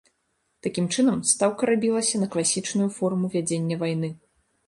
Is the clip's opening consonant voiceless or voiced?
voiceless